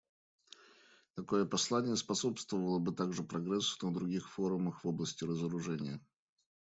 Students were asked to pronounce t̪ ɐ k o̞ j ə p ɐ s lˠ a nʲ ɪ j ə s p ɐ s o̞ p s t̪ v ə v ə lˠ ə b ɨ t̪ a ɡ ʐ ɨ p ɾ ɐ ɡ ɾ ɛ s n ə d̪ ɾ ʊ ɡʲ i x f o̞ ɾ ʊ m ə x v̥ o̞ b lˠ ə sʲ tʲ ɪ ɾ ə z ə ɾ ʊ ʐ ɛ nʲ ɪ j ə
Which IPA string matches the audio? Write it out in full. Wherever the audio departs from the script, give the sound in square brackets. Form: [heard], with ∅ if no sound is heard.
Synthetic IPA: t̪ ɐ k o̞ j ə p ɐ s lˠ a nʲ ɪ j ə s p ɐ s o̞ p s t̪ v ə v ə lˠ ə b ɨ t̪ a ɡ ʐ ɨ p ɾ ɐ ɡ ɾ ɛ s n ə d̪ ɾ ʊ ɡʲ i x f o̞ ɾ ʊ m ə x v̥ o̞ b lˠ ə sʲ tʲ ɪ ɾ ə z ə ɾ ʊ ʐ ɛ nʲ ɪ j ə